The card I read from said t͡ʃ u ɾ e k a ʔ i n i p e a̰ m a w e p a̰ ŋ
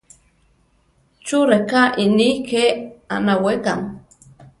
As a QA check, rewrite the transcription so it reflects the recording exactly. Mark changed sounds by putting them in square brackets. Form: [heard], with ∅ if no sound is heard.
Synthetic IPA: t͡ʃ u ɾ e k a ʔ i n i [k] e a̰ [n] a w e [k] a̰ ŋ